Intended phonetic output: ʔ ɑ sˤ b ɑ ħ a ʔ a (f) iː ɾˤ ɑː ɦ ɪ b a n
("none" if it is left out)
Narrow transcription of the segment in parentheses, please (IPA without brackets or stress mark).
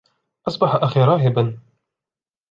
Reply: x